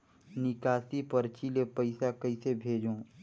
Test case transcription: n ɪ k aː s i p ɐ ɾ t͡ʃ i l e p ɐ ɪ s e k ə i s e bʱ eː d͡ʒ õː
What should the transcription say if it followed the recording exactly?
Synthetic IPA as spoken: n ɪ k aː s i p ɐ ɾ t͡ʃ i l e p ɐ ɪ s a k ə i s e bʱ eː d͡ʒ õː